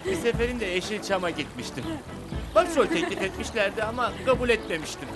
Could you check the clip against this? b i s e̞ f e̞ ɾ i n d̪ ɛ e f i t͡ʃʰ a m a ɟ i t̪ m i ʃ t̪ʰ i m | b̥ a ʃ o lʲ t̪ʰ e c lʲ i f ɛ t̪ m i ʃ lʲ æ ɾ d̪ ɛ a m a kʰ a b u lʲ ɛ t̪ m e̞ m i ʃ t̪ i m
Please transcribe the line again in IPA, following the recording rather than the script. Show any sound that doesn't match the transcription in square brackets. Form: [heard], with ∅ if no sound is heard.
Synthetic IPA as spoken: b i s e̞ f e̞ ɾ i n d̪ ɛ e [ʃ] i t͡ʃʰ a m a ɟ i t̪ m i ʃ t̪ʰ i m | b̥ a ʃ o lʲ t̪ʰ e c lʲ i f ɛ t̪ m i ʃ lʲ æ ɾ d̪ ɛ a m a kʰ a b u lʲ ɛ t̪ m e̞ m i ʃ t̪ i m